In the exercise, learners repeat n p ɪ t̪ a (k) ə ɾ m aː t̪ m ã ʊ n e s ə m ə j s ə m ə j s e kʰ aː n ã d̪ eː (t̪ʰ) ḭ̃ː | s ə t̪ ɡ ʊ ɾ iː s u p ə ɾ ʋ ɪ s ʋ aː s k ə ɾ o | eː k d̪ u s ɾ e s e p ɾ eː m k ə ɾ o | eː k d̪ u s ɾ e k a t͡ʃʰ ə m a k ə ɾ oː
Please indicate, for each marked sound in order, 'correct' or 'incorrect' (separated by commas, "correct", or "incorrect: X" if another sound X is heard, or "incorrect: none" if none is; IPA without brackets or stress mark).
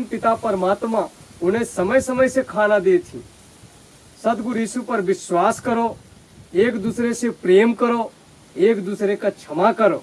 incorrect: p, correct